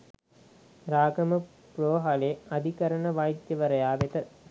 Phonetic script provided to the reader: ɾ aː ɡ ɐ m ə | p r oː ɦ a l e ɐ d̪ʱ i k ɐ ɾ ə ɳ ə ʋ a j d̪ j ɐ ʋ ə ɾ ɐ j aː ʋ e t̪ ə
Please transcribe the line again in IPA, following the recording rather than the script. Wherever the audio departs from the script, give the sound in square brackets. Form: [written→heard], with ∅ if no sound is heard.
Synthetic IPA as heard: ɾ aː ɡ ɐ m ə | p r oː ɦ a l e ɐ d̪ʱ i k ɐ ɾ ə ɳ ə ʋ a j d̪ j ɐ ʋ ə ɾ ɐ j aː ʋ e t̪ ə